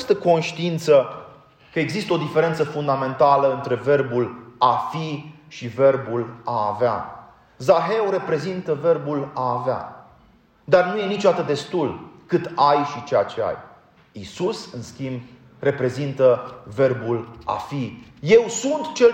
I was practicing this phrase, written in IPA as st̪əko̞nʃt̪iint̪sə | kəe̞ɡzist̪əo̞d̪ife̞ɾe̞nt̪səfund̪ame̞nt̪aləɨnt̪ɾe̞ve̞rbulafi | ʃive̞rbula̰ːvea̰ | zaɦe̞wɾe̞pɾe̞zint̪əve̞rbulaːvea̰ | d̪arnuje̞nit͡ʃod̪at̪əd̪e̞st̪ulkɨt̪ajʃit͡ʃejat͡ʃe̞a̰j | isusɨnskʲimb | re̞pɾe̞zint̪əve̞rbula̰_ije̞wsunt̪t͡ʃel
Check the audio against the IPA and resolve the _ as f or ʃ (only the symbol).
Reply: f